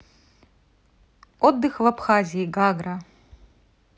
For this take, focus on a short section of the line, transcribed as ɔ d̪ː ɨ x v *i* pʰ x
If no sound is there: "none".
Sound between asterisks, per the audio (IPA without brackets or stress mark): a